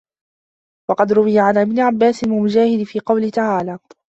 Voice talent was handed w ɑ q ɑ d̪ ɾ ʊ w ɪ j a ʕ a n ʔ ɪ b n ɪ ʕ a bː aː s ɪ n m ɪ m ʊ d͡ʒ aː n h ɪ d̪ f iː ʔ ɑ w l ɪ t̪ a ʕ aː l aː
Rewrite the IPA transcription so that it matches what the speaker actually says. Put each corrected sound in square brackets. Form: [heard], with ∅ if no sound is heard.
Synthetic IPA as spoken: w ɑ q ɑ d̪ ɾ ʊ w ɪ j a ʕ a n ʔ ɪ b n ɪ ʕ a bː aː s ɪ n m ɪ m ʊ d͡ʒ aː [∅] h ɪ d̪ f iː [q] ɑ w l ɪ t̪ a ʕ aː l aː